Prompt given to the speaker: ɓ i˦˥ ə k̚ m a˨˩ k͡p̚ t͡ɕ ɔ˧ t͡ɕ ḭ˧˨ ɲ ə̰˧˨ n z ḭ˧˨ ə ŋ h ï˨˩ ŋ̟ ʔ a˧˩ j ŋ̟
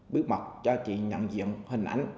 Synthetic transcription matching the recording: ɓ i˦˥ ə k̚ m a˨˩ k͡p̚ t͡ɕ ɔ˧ t͡ɕ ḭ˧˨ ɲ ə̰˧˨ n z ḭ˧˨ ə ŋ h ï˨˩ ŋ̟ ʔ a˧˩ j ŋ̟